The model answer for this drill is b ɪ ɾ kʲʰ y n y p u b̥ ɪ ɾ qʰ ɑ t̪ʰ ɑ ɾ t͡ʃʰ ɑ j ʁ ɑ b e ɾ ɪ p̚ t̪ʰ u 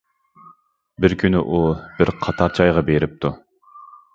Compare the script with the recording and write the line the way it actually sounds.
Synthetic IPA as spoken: b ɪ ɾ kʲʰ y n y ʔ u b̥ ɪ ɾ qʰ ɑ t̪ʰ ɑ ɾ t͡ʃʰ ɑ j ʁ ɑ b e ɾ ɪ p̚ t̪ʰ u